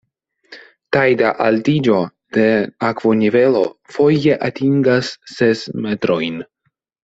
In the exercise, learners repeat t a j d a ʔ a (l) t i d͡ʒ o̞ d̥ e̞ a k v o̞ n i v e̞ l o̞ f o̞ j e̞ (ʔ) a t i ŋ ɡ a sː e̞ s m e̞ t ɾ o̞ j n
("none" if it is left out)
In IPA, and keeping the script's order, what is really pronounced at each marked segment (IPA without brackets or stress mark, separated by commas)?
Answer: l, ʔ